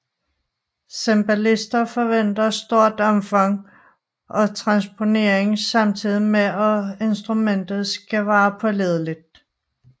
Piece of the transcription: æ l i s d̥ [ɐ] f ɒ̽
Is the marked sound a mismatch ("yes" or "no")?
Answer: no